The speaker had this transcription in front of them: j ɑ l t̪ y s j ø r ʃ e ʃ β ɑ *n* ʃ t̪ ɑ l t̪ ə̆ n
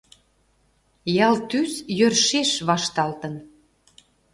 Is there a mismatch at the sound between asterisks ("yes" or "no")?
yes